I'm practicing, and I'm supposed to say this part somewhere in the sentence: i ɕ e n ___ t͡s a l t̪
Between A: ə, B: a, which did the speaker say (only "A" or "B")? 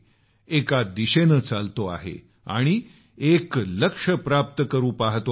A